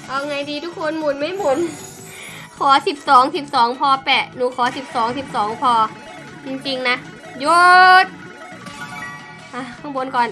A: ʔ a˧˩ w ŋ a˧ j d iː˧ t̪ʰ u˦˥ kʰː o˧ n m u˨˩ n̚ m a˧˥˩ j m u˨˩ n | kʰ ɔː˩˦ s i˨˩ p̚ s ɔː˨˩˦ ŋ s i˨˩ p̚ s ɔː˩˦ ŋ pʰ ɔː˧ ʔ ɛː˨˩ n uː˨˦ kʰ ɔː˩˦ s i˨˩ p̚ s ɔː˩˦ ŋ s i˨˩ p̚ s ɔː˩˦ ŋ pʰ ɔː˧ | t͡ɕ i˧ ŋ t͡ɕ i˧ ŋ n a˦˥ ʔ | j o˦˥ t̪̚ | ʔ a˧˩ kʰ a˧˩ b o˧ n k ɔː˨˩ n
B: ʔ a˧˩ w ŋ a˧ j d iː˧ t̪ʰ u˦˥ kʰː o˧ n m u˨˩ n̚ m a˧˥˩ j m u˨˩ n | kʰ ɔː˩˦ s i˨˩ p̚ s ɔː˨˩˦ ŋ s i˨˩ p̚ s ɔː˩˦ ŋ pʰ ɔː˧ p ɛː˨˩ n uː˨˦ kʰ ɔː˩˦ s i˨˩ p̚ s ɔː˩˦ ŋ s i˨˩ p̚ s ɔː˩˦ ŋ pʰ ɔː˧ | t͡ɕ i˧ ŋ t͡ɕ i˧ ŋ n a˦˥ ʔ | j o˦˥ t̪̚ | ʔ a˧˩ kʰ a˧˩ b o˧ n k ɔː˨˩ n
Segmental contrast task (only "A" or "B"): B